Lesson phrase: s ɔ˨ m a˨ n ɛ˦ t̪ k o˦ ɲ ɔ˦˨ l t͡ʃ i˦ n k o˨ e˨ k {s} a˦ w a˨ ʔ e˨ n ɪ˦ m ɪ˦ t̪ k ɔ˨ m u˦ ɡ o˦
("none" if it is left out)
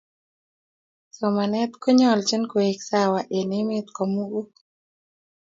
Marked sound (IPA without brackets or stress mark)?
s